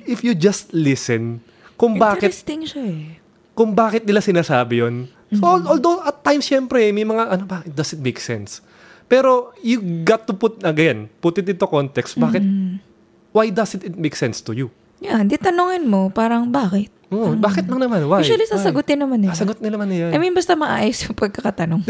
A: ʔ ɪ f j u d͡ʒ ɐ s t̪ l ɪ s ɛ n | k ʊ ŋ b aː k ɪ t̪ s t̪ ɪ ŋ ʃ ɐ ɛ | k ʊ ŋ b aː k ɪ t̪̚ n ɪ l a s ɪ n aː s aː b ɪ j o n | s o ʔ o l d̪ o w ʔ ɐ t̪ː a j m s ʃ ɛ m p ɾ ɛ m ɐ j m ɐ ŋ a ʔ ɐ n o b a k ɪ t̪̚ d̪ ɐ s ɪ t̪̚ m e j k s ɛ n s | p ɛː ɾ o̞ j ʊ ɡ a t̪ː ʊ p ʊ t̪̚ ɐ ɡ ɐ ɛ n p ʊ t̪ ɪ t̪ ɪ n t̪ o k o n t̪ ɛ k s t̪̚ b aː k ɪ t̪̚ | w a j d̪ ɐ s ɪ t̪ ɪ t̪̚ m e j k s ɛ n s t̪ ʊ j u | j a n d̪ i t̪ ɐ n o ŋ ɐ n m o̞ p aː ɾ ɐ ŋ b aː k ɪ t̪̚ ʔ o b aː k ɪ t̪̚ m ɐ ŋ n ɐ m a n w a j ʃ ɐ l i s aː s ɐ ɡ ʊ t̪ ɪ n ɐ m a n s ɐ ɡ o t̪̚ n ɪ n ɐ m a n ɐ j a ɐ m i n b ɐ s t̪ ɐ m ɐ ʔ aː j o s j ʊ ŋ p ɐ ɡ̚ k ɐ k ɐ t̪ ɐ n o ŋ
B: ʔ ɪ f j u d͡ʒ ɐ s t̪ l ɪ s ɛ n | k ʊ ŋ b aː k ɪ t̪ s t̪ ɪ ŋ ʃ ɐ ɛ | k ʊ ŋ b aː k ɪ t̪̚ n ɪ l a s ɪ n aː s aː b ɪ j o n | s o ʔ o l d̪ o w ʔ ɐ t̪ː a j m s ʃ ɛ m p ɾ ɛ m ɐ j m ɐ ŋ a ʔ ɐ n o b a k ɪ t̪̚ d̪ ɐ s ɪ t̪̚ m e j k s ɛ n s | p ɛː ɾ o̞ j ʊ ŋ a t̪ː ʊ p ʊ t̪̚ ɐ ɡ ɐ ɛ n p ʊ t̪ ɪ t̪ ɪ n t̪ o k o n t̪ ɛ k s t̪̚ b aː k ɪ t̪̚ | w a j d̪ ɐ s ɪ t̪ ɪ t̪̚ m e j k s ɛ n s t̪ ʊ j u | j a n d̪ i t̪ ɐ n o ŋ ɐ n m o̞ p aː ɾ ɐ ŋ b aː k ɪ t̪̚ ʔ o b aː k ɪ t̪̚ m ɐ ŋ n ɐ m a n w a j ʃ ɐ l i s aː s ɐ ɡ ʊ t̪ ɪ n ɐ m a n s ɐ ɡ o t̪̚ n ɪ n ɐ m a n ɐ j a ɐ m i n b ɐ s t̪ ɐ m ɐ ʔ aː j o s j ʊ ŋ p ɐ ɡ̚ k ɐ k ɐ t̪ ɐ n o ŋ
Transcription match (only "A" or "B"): A